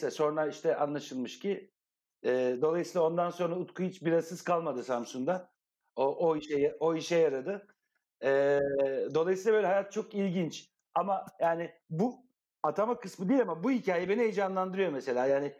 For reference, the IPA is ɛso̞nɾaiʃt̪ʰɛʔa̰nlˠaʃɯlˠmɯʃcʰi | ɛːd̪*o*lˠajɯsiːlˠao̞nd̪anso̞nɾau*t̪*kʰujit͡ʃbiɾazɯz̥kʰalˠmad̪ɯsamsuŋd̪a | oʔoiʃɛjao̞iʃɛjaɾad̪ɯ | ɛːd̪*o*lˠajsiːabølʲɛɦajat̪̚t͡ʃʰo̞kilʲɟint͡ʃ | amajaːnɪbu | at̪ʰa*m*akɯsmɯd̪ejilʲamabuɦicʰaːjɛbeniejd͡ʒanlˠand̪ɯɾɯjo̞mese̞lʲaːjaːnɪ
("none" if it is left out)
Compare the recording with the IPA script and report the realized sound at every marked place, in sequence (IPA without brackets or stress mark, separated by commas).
o, t̪, o, m